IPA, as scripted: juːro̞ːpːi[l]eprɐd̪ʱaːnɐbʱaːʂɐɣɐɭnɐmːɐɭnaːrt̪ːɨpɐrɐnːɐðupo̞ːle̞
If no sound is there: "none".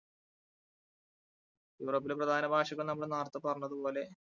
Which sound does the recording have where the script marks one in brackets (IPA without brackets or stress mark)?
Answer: l